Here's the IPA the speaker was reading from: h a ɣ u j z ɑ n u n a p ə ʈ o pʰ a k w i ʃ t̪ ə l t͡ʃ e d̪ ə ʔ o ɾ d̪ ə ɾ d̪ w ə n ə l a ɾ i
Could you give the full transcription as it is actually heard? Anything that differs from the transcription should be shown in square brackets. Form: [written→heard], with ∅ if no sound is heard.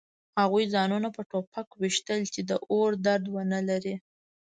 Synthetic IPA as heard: h a ɣ u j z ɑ n u n a p ə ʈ o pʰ a k w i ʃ t̪ ə l t͡ʃ e d̪ ə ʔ o ɾ d̪ [ə→a] ɾ d̪ w ə n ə l a ɾ i